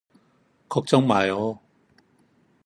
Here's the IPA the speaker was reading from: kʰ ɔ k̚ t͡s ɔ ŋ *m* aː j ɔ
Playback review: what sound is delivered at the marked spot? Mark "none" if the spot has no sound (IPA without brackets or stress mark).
m